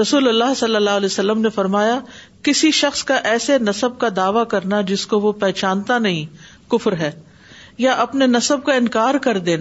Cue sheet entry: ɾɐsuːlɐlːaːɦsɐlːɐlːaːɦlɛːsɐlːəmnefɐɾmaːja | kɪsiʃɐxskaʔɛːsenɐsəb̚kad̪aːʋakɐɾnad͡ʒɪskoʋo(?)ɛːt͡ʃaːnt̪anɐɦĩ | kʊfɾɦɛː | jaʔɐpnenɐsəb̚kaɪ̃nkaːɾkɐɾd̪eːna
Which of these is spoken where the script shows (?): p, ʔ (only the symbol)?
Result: p